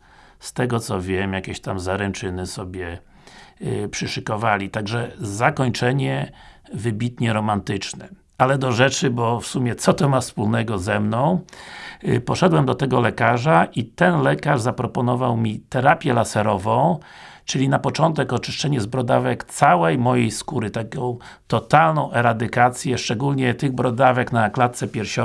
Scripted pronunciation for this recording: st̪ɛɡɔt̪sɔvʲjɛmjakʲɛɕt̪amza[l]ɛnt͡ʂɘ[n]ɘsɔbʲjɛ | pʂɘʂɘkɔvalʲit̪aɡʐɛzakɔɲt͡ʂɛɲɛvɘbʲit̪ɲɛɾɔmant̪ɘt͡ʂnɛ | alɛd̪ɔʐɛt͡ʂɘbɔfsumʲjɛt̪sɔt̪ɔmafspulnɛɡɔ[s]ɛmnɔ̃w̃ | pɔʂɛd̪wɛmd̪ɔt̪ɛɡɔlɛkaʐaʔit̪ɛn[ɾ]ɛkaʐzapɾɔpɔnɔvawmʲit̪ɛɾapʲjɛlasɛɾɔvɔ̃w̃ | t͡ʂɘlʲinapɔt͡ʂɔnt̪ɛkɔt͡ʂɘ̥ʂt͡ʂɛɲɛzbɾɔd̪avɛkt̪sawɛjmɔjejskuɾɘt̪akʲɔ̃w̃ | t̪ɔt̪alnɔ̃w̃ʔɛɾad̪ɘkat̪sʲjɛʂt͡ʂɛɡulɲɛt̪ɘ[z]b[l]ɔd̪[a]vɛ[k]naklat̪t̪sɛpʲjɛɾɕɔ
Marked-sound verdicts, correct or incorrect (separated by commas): incorrect, correct, incorrect, incorrect, incorrect, incorrect, correct, correct